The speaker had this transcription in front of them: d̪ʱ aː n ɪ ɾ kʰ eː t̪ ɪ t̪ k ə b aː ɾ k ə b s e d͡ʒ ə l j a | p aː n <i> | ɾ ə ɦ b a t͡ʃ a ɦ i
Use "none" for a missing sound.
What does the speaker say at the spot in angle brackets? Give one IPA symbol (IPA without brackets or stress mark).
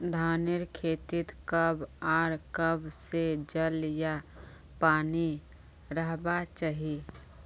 i